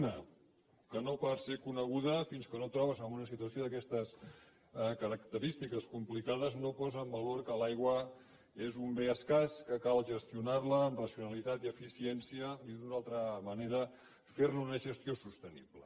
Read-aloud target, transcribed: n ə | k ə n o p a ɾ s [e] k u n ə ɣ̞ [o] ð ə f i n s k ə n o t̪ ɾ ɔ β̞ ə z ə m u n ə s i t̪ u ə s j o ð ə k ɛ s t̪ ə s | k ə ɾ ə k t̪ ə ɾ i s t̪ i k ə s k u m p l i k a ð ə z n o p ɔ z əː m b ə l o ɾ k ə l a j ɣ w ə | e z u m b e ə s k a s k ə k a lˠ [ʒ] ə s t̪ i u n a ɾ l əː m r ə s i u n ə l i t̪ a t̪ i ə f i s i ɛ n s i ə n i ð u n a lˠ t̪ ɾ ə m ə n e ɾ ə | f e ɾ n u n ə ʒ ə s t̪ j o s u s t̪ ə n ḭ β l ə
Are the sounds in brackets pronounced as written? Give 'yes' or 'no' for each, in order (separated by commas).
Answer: yes, no, yes